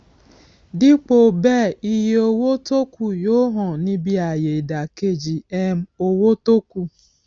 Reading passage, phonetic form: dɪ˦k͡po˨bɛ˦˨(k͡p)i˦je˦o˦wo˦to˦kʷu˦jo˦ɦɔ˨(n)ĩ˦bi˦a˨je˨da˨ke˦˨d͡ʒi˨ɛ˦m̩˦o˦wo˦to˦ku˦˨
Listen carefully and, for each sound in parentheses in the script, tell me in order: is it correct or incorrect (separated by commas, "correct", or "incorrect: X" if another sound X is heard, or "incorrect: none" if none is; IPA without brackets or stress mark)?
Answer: incorrect: none, correct